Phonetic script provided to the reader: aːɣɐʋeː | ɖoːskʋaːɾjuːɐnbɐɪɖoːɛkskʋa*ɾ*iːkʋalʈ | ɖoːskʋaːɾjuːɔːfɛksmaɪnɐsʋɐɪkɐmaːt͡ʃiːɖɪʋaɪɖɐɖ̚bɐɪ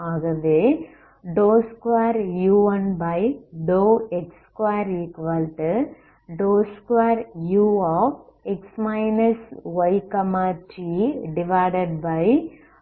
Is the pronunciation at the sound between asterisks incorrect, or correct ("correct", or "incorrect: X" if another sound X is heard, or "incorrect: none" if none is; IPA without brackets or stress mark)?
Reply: correct